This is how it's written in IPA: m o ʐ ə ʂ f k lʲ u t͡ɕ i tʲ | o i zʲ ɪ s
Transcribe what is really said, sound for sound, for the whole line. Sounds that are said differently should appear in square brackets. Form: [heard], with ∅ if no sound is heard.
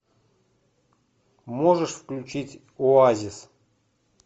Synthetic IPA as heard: m o ʐ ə ʂ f k lʲ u t͡ɕ i tʲ | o [a] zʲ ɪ s